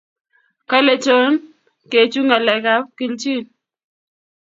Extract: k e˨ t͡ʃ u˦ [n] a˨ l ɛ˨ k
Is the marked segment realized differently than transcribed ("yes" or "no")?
yes